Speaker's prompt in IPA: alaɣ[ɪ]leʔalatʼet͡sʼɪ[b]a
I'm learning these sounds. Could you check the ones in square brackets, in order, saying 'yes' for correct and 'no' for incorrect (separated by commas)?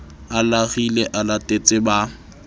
no, yes